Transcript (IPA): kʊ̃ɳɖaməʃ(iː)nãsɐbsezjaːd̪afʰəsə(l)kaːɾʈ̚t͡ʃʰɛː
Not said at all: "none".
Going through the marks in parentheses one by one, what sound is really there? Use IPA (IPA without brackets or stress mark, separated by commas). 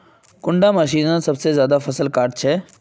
iː, l